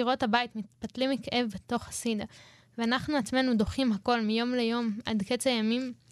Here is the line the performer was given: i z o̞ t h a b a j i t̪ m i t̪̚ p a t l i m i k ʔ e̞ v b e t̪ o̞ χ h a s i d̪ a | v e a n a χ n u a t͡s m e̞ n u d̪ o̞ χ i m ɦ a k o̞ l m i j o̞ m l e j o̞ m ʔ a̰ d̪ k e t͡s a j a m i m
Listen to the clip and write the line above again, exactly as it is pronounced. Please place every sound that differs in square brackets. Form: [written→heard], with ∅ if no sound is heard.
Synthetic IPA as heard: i [z→ʁ] o̞ t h a b a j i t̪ m i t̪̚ p a t l i m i k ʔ e̞ v b e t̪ o̞ χ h a s i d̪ a | v e a n a χ n u a t͡s m e̞ n u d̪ o̞ χ i m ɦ a k o̞ l m i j o̞ m l e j o̞ m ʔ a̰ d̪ k e t͡s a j a m i m